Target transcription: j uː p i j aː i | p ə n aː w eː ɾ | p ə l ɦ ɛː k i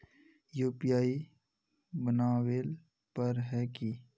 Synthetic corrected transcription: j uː p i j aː i | b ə n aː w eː l | p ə ɾ ɦ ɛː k i